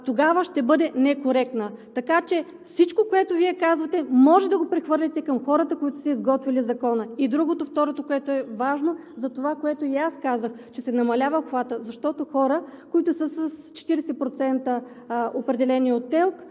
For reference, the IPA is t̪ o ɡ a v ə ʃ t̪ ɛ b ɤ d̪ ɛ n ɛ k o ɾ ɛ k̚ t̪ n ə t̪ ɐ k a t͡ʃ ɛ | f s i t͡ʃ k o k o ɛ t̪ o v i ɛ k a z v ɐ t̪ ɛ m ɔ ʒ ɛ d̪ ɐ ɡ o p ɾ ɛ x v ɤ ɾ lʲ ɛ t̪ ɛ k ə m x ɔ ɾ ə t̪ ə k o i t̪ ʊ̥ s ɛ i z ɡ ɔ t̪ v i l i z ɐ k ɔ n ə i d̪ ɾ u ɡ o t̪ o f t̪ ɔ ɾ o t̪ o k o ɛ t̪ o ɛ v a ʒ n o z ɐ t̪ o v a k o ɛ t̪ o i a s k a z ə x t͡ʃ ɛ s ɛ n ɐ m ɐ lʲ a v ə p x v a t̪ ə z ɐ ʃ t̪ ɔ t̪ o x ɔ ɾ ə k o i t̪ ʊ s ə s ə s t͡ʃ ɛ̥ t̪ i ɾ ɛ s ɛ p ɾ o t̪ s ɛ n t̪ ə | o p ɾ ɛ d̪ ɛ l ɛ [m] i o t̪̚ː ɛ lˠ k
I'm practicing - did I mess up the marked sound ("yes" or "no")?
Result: yes